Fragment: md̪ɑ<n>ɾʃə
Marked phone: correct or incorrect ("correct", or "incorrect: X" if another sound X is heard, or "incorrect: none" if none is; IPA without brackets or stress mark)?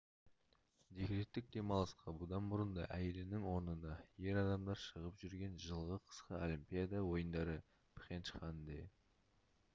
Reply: incorrect: none